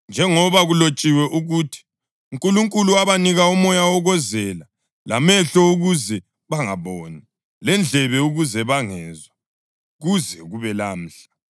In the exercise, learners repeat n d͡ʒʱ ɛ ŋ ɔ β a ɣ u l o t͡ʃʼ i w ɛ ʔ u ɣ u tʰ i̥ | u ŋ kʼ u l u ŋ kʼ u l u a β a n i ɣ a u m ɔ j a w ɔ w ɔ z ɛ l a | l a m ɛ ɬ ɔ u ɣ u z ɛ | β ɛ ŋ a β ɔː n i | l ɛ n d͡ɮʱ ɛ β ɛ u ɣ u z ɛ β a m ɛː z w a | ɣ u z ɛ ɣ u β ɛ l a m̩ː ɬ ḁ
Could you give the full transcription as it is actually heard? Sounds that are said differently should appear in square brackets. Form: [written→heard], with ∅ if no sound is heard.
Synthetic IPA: n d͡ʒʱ ɛ ŋ ɔ β a ɣ u l o t͡ʃʼ i w ɛ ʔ u ɣ u tʰ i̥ | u ŋ kʼ u l u ŋ kʼ u l u a β a n i ɣ a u m ɔ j a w ɔ [w→ɣ] ɔ z ɛ l a | l a m ɛ ɬ ɔ u ɣ u z ɛ | β [ɛ→a] ŋ a β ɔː n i | l ɛ n d͡ɮʱ ɛ β ɛ u ɣ u z ɛ β a [m→ŋ] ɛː z w a | ɣ u z ɛ ɣ u β ɛ l a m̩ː ɬ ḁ